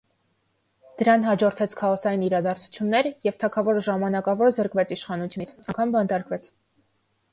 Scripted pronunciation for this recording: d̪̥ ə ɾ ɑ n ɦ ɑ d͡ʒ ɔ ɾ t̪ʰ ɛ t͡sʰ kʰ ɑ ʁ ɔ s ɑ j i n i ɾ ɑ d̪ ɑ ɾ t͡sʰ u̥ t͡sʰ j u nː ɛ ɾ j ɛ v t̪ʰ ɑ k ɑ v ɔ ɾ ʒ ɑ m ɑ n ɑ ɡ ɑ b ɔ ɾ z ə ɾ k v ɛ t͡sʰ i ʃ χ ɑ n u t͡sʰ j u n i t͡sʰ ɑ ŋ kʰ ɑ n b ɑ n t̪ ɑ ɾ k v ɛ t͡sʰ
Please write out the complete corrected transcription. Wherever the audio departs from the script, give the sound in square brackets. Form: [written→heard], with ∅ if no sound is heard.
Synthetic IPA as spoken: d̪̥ ə ɾ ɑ n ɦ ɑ d͡ʒ ɔ ɾ t̪ʰ ɛ t͡sʰ kʰ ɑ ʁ ɔ s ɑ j i n i ɾ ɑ d̪ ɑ ɾ t͡sʰ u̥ t͡sʰ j u nː ɛ ɾ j ɛ v t̪ʰ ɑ [k→kʰ] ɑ v ɔ ɾ ʒ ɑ m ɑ n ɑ [ɡ→k] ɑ [b→v] ɔ ɾ z ə ɾ k v ɛ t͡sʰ i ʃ χ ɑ n u t͡sʰ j u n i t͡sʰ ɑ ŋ kʰ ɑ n b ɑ n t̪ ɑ ɾ k v ɛ t͡sʰ